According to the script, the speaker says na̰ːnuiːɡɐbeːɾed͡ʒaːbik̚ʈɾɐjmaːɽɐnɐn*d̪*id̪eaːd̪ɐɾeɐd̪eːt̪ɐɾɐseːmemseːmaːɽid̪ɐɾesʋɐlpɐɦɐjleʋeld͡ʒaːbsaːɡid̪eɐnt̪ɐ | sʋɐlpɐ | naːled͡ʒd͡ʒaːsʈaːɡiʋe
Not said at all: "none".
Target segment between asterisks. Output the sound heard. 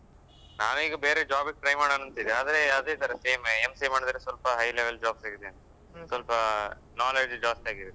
t̪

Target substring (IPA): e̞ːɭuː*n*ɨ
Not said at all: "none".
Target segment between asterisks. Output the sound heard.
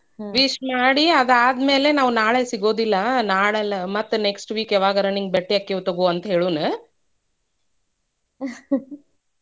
n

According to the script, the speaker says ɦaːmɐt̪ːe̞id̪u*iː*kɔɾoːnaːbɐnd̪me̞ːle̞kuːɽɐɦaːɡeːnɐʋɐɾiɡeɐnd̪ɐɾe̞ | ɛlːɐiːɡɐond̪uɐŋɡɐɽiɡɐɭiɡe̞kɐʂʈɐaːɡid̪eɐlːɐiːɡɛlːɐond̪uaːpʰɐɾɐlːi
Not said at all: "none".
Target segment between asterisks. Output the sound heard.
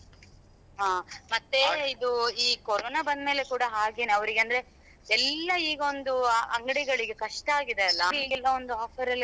iː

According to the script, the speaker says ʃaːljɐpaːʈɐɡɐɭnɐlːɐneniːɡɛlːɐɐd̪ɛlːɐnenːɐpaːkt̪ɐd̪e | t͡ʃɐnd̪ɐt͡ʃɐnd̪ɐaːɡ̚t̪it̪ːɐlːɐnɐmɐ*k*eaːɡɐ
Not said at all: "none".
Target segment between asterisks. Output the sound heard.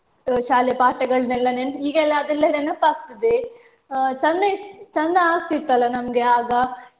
ɡ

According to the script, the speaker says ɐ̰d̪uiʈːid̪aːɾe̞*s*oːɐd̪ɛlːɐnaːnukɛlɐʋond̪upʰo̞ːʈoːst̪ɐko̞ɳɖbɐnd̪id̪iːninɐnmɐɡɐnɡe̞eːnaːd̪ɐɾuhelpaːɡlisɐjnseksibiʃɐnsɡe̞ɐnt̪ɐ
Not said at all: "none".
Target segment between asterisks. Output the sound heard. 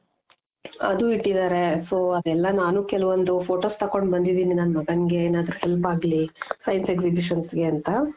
s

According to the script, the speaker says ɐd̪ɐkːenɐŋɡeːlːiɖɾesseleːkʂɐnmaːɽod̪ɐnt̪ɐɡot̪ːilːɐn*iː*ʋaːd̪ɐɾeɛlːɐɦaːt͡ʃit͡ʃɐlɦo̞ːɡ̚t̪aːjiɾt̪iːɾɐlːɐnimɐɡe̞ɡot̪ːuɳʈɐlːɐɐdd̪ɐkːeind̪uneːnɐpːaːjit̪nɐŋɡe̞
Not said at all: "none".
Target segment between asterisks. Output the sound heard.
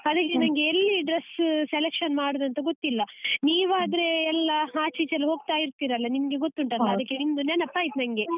iː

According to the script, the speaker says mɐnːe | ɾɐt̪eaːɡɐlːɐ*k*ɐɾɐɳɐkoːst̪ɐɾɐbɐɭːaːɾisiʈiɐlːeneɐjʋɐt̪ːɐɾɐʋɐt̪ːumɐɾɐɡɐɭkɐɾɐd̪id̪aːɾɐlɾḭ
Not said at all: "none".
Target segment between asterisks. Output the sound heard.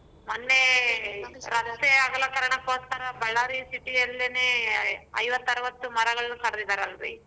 k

